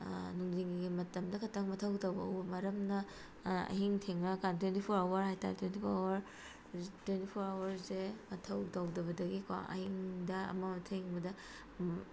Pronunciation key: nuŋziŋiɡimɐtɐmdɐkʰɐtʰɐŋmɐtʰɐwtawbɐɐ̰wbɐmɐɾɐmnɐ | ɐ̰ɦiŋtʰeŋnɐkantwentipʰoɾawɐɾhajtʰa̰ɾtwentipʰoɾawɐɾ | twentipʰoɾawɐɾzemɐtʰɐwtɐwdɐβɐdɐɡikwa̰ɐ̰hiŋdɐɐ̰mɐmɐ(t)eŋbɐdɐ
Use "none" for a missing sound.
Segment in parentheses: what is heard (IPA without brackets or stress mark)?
tʰ